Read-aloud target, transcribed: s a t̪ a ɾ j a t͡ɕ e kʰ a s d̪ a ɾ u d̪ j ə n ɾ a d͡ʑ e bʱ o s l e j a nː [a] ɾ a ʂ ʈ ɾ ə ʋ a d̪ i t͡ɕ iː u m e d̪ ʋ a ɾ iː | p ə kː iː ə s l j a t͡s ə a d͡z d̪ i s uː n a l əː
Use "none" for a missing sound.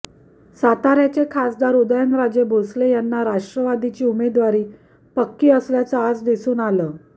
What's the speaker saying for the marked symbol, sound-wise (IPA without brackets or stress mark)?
a